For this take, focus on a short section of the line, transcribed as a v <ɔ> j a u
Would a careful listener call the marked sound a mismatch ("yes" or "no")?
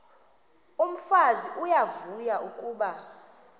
yes